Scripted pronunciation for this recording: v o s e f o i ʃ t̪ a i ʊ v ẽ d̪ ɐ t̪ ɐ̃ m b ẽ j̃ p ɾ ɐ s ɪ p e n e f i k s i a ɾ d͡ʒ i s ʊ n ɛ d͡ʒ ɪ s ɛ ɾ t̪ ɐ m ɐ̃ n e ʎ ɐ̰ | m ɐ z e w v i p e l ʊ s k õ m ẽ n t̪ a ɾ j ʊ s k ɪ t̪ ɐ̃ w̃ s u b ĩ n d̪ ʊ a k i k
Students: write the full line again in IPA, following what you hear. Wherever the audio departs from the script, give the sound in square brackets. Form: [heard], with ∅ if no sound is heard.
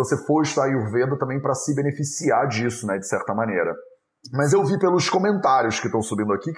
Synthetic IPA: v o s e f o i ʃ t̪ a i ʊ v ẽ d̪ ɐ t̪ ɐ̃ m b ẽ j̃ p ɾ ɐ s ɪ [b] e n e f i [∅] s i a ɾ d͡ʒ i s ʊ n ɛ d͡ʒ ɪ s ɛ ɾ t̪ ɐ m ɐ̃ n e [ɾ] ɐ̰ | m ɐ z e w v i p e l ʊ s k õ m ẽ n t̪ a ɾ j ʊ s k ɪ t̪ ɐ̃ w̃ s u b ĩ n d̪ ʊ a k i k